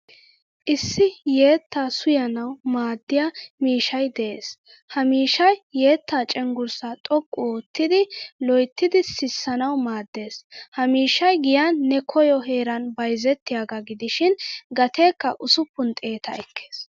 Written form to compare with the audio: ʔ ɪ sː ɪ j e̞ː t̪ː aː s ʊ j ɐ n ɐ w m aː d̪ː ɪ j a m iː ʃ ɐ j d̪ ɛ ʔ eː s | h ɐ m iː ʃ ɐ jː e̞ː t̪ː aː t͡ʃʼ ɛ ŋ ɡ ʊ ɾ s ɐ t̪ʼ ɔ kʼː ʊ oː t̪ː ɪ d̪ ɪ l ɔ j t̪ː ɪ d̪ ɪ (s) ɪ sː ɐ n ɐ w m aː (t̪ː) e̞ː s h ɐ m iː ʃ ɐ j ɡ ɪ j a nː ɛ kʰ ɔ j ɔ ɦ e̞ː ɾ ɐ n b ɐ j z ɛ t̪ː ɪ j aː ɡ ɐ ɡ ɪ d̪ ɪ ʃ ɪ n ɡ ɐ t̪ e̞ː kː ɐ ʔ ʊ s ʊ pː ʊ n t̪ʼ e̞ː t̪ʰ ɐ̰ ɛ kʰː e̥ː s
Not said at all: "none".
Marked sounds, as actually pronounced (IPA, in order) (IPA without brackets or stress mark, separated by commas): s, d̪ː